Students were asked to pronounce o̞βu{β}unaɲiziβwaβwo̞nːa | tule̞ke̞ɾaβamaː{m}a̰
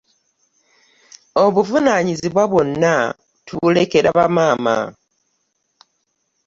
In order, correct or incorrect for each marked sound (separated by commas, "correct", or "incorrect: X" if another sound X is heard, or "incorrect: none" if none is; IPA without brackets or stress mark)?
incorrect: v, correct